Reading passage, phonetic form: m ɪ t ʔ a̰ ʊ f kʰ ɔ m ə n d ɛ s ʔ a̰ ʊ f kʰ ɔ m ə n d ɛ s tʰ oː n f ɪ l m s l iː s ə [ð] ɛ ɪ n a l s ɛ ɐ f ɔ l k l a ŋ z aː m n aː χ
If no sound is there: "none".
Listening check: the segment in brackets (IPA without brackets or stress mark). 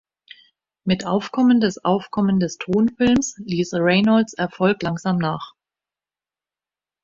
ʁ